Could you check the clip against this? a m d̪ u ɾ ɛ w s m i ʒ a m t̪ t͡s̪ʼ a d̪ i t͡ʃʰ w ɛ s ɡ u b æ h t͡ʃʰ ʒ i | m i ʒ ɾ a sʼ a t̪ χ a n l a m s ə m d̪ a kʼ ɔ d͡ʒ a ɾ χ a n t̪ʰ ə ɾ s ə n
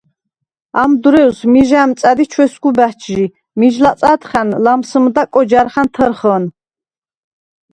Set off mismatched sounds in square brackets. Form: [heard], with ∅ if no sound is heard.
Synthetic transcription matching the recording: a m d̪ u ɾ ɛ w s m i ʒ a m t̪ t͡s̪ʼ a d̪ i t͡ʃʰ w ɛ s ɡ u b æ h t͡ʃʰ ʒ i | m i ʒ [l] a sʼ a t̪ χ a n l a m s ə m d̪ a kʼ ɔ d͡ʒ a ɾ χ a n t̪ʰ ə ɾ [χ] ə n